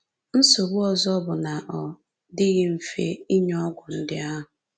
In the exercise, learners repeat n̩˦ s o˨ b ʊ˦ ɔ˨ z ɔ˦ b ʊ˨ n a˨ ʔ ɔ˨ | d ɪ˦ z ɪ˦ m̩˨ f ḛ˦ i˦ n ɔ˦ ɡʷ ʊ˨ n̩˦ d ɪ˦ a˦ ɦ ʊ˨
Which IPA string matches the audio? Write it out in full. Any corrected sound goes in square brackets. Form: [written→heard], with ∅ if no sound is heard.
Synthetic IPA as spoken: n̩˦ s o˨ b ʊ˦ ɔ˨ z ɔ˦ b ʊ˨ n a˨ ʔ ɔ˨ | d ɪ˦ [z→ɣ] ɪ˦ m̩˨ f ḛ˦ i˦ [n→ɲ] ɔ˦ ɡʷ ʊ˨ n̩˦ d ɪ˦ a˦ ɦ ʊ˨

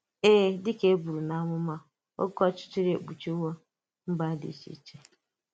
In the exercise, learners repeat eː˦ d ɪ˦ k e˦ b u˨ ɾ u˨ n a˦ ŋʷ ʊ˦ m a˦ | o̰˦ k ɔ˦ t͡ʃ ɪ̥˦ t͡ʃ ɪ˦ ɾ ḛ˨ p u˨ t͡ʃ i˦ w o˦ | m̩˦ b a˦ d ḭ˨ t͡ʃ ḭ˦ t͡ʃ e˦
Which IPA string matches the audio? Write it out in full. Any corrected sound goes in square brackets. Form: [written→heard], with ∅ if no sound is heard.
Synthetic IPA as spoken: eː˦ d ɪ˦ k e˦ b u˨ ɾ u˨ n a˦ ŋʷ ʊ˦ m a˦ | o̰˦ k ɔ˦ t͡ʃ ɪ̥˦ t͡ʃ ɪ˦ ɾ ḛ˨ [p→k͡p] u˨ t͡ʃ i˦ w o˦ | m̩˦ b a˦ d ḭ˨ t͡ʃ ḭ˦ t͡ʃ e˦

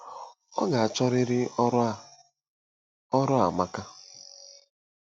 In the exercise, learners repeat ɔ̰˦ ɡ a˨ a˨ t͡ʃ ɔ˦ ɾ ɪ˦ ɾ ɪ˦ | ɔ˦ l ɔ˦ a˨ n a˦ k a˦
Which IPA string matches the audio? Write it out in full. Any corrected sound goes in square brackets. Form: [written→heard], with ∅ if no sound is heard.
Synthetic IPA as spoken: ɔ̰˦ ɡ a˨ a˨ t͡ʃ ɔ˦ ɾ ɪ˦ ɾ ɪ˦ | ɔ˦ [l→ɾ] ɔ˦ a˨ [n→m] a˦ k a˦

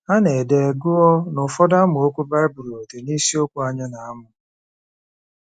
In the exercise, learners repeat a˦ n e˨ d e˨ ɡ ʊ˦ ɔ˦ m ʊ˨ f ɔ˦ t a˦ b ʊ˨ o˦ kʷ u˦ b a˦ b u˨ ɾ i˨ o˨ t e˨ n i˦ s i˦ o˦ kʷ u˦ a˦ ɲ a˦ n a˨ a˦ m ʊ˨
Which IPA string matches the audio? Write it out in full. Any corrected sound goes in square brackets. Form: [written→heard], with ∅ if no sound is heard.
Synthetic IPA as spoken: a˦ n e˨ d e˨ ɡ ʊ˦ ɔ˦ [m→n] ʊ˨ f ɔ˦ [t→d] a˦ [b→m] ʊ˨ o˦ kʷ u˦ b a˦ b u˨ ɾ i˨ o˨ t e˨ n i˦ s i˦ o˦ kʷ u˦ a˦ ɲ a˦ n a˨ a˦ m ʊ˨

